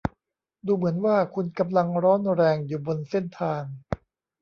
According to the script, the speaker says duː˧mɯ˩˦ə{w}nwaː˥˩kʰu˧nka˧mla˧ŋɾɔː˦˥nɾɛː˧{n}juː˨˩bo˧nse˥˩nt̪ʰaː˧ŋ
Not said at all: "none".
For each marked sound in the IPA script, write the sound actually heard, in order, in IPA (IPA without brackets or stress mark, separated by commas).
none, ŋ